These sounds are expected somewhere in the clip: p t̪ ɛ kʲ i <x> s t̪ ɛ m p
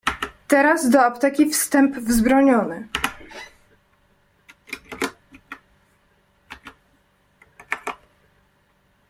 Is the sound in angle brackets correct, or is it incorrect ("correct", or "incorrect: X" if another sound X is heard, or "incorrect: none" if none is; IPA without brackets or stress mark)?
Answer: incorrect: f